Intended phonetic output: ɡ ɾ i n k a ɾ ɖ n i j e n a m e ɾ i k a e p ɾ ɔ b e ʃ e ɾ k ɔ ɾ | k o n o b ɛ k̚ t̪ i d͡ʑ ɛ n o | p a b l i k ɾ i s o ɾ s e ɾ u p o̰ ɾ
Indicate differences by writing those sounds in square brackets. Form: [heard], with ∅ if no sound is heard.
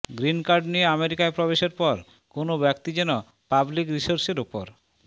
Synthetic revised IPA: ɡ ɾ i n k a ɾ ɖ n i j e [∅] a m e ɾ i k a e p ɾ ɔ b e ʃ e ɾ [p] ɔ ɾ | k o n o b ɛ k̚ t̪ i d͡ʑ ɛ n o | p a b l i k ɾ i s o ɾ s e ɾ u p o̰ ɾ

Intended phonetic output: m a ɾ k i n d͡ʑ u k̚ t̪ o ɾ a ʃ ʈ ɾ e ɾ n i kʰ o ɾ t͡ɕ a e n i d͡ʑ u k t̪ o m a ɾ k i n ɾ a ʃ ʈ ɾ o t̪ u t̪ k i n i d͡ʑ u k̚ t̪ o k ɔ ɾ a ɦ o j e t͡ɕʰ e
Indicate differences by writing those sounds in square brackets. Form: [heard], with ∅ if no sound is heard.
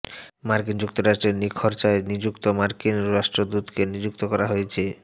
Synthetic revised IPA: m a ɾ k i n d͡ʑ u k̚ t̪ o ɾ a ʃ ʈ ɾ e ɾ n i kʰ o ɾ t͡ɕ a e n i d͡ʑ u k t̪ o m a ɾ k i n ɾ a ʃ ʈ ɾ o [d̪] u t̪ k [e] n i d͡ʑ u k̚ t̪ o k ɔ ɾ a ɦ o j e t͡ɕʰ e

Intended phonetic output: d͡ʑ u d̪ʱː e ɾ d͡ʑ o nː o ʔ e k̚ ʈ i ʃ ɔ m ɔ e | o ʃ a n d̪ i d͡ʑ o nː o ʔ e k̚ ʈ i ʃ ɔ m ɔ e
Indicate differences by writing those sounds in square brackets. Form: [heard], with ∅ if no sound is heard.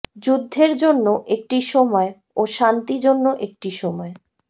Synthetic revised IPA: d͡ʑ u d̪ʱː e ɾ d͡ʑ o nː o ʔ e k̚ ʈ i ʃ ɔ m ɔ e | o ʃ a n [t̪] i d͡ʑ o nː o ʔ e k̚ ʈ i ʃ ɔ m ɔ e

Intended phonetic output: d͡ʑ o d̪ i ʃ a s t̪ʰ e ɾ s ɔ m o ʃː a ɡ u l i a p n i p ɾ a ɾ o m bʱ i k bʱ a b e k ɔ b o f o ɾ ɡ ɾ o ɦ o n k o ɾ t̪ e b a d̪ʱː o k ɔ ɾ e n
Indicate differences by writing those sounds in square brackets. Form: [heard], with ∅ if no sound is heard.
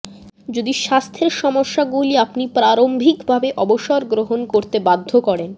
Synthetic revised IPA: d͡ʑ o d̪ i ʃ a s t̪ʰ e ɾ [ʃ] ɔ m o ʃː a ɡ u l i a p n i p ɾ a ɾ o m bʱ i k bʱ a b e [ʔ] ɔ b o [ʃ] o ɾ ɡ ɾ o ɦ o n k o ɾ t̪ e b a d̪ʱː o k ɔ ɾ e n

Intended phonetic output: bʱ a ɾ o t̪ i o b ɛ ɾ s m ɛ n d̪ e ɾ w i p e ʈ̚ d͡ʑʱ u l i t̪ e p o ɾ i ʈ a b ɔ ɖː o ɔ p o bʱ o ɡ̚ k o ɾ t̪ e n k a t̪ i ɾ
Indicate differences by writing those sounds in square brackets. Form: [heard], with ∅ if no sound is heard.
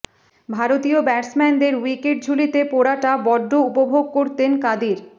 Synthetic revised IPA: bʱ a ɾ o t̪ i o b ɛ ɾ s m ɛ n d̪ e ɾ w i [k] e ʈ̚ d͡ʑʱ u l i t̪ e p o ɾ [a] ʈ a b ɔ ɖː o [u] p o bʱ o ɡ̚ k o ɾ t̪ e n k a [d̪] i ɾ

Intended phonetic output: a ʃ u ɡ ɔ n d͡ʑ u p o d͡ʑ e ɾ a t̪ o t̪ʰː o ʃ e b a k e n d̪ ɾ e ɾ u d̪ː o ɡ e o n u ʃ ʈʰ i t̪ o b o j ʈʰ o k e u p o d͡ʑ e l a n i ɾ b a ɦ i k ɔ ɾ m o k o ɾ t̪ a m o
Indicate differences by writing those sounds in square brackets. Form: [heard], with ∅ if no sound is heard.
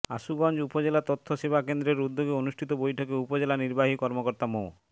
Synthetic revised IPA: a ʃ u ɡ ɔ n d͡ʑ u p o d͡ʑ e [l] a t̪ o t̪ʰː o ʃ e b a k e n d̪ ɾ e ɾ u d̪ː o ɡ e o n u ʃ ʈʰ i t̪ o b o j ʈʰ o k e u p o d͡ʑ e l a n i ɾ b a ɦ i k ɔ ɾ m o k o ɾ t̪ a m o

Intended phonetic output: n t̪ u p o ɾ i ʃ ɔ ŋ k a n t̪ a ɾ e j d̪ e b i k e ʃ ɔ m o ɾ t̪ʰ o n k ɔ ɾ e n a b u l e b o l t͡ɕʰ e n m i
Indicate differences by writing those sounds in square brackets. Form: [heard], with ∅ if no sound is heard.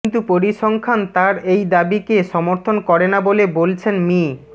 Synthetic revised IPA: n t̪ u p o ɾ i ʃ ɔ ŋ [kʰ] a n t̪ a ɾ e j d̪ [a] b i k e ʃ ɔ m o ɾ t̪ʰ o n k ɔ ɾ e n a b [o] l e b o l t͡ɕʰ e n m i

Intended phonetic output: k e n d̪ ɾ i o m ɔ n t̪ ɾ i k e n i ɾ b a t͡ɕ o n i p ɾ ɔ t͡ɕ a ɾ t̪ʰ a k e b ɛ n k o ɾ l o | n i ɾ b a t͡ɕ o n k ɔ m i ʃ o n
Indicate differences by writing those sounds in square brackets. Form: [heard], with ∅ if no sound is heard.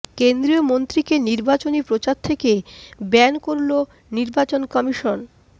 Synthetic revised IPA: k e n d̪ ɾ i o m [o] n t̪ ɾ i k e n i ɾ b a t͡ɕ o n i p ɾ [o] t͡ɕ a ɾ t̪ʰ [e] k e b ɛ n k o ɾ l o | n i ɾ b a t͡ɕ o n k ɔ m i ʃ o n

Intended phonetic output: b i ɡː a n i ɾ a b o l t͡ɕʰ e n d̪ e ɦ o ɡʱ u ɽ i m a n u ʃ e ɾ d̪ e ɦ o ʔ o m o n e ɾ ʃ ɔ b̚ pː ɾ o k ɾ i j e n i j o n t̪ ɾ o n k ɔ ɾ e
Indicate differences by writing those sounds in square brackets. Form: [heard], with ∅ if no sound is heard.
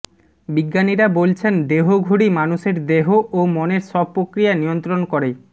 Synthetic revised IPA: b i ɡː a n i ɾ a b o l t͡ɕʰ e n d̪ e ɦ o ɡʱ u ɽ i m a n u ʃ e ɾ d̪ e ɦ o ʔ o m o n e ɾ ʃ ɔ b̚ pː ɾ o k ɾ i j [a] n i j o n t̪ ɾ o n k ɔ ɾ e

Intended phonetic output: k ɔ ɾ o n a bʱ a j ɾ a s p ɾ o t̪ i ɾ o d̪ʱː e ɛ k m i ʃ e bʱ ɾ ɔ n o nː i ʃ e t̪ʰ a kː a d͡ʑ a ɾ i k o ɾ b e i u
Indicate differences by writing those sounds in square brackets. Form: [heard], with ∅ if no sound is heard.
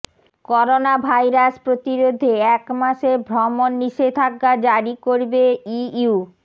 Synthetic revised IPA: k ɔ ɾ o n a bʱ a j ɾ a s p ɾ o t̪ i ɾ o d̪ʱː e ɛ k m [a] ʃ e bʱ ɾ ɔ [m] o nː i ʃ e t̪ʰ a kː a d͡ʑ a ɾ i k o ɾ b e i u

